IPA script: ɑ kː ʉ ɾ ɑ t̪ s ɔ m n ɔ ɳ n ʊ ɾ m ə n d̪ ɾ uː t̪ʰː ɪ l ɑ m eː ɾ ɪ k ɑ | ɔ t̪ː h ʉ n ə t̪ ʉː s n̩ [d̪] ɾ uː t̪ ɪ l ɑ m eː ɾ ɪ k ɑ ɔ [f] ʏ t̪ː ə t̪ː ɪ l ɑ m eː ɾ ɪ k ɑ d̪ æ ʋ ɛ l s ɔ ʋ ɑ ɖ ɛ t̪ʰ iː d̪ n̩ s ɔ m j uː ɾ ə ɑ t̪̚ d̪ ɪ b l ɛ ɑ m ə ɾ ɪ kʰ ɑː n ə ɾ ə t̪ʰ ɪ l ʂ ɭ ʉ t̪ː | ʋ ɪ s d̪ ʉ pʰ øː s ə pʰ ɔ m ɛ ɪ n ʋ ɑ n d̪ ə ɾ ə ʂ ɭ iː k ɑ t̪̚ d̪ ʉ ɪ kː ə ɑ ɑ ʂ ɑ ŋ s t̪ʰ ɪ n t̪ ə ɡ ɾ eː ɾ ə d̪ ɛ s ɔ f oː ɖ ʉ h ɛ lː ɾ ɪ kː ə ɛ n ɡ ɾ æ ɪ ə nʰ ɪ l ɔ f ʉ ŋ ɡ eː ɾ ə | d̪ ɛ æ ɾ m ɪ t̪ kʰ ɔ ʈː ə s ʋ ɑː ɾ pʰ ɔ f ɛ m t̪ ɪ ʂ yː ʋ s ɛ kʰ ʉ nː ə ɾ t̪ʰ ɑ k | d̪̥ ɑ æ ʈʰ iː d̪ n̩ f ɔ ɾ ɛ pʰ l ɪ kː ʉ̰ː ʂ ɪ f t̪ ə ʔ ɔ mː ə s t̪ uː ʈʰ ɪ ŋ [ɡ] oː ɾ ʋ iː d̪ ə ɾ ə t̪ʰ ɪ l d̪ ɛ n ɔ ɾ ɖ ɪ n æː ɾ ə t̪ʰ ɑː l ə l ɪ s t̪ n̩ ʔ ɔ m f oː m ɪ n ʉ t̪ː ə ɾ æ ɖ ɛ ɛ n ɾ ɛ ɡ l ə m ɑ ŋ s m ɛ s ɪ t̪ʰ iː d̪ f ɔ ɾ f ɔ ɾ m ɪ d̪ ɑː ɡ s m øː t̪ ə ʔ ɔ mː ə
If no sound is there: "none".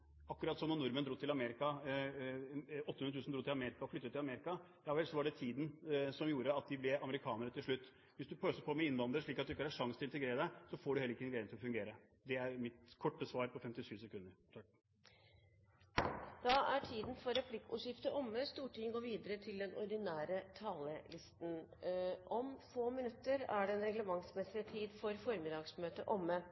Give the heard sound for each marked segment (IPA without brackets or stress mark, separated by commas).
d̪, f, ɡ